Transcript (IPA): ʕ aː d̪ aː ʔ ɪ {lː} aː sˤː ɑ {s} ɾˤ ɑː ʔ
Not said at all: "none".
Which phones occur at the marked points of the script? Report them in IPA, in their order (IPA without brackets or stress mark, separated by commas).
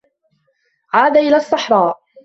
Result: l, ħ